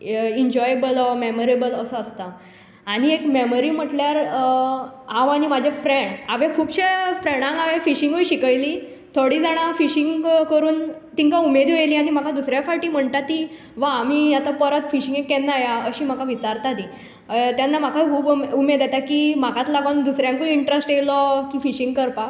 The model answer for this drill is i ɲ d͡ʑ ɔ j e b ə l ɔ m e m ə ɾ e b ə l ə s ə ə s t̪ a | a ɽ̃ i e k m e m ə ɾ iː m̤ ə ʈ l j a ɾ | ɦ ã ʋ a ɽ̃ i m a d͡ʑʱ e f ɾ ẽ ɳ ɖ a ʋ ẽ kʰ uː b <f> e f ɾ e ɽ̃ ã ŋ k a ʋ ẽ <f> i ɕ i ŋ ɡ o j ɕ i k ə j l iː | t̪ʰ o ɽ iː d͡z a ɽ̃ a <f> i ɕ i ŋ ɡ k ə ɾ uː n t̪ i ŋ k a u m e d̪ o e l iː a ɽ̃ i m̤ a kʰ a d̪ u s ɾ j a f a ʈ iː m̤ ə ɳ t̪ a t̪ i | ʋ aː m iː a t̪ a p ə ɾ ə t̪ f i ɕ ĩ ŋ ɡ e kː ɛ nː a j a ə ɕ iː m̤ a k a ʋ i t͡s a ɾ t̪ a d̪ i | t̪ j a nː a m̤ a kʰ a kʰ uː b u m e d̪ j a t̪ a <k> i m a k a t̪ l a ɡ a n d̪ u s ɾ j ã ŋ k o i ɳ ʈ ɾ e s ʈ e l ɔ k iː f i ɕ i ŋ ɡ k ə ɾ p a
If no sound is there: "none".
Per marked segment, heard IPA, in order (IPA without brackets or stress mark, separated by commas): ɕ, f, f, k